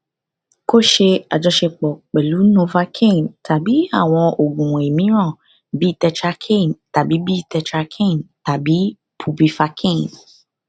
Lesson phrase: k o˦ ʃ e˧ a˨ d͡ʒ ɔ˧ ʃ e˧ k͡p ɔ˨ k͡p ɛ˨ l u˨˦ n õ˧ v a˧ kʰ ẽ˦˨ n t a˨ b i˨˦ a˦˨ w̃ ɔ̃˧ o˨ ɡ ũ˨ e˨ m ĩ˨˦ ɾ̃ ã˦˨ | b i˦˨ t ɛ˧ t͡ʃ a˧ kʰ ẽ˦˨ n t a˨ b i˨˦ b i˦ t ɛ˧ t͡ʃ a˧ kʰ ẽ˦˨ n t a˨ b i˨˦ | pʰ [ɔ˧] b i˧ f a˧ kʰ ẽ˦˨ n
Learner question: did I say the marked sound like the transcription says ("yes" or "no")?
no